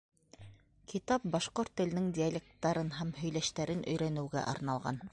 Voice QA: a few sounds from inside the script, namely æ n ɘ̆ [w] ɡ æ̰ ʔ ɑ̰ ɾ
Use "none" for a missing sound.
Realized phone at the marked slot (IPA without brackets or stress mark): w